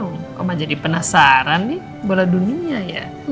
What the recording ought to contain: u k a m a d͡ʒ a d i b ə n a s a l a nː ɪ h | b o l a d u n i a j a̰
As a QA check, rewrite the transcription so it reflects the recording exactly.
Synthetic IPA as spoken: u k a m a d͡ʒ a d i p ə n a s a ɾ a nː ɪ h | b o l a d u n i a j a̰